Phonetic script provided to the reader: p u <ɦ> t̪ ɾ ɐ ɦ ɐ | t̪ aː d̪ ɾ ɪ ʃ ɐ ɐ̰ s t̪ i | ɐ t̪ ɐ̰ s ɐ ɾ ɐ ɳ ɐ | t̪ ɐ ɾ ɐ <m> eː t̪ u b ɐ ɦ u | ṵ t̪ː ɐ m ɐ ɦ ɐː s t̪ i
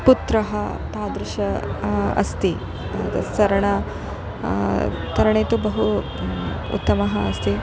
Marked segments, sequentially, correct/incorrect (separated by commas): incorrect, incorrect